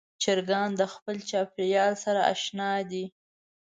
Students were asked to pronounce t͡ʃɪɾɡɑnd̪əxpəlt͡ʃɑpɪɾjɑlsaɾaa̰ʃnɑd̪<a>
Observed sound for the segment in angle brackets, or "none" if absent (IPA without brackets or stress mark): i